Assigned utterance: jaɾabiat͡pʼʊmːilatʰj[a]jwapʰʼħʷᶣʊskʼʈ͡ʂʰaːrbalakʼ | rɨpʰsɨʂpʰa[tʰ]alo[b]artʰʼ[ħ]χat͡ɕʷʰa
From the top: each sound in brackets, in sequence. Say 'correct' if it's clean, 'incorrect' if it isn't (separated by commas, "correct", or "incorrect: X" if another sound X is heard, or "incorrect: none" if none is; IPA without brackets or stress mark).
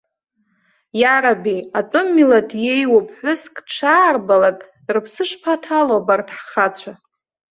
incorrect: e, correct, correct, correct